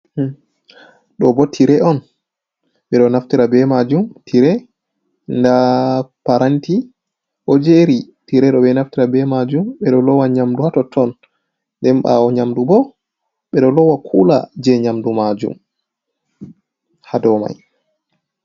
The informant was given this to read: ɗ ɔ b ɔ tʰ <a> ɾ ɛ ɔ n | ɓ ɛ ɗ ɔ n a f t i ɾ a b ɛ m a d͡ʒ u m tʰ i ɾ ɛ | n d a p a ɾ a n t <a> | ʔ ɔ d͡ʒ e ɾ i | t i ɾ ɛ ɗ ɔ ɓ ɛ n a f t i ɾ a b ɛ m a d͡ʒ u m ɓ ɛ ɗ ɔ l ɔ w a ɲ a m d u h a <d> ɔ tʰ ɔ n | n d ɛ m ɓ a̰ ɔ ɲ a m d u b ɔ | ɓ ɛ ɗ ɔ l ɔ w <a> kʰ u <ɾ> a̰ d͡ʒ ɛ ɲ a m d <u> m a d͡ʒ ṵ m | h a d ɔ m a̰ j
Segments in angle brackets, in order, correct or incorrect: incorrect: i, incorrect: i, incorrect: t, correct, incorrect: l, correct

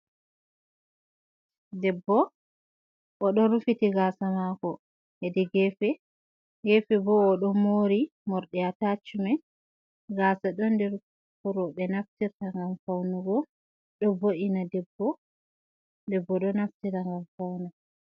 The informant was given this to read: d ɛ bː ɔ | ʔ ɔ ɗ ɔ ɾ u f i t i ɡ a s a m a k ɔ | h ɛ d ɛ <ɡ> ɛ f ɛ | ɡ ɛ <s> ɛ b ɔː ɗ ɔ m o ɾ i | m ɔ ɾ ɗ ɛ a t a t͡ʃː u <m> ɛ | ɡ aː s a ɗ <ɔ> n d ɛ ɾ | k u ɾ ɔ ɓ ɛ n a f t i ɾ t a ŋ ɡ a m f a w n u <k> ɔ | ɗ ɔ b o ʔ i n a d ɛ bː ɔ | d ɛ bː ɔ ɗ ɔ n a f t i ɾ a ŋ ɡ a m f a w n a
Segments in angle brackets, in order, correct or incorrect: correct, incorrect: f, correct, correct, incorrect: ɡ

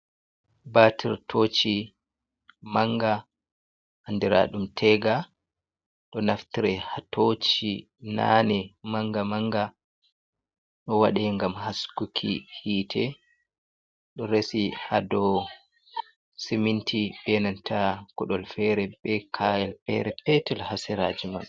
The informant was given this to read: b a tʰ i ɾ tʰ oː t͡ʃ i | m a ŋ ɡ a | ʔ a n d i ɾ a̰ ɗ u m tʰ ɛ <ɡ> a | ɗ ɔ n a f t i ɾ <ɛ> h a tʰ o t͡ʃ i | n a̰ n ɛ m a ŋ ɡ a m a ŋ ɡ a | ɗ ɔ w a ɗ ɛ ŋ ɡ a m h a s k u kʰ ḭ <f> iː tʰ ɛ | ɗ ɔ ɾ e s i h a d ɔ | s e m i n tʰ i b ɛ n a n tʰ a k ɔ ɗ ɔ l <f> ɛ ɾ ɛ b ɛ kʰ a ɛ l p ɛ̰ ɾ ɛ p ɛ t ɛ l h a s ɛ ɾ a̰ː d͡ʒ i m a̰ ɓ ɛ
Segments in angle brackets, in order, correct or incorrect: correct, correct, incorrect: h, correct

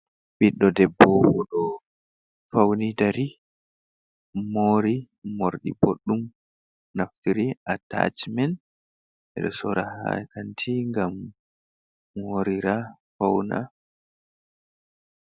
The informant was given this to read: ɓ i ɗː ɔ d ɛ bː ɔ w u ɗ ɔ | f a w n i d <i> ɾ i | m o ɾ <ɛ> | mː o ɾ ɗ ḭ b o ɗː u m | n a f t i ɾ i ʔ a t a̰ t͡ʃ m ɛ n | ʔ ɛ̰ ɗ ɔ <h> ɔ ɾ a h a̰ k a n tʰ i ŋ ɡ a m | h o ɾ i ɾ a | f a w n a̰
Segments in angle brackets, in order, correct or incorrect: incorrect: a, incorrect: i, incorrect: s

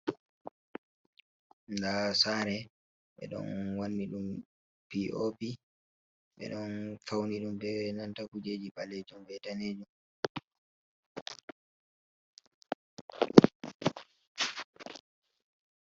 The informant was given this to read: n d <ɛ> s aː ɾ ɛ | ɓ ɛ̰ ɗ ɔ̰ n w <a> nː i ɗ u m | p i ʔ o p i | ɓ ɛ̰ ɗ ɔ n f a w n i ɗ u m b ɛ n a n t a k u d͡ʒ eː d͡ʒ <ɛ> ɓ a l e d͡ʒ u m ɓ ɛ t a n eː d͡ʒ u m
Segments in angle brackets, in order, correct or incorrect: incorrect: a, correct, incorrect: i

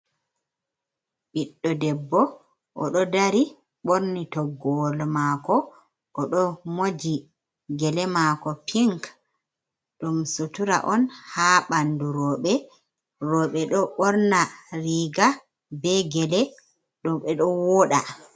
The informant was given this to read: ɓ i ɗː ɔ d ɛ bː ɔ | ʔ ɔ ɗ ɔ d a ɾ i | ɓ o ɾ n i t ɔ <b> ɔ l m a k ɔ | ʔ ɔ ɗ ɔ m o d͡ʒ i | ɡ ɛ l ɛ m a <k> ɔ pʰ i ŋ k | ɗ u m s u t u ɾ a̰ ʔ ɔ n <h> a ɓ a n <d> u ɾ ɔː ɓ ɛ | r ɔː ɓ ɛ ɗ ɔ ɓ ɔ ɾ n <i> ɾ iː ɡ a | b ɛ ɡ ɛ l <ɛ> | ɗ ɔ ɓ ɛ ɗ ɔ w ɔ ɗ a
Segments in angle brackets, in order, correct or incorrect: incorrect: ɡ, correct, correct, correct, incorrect: a, correct

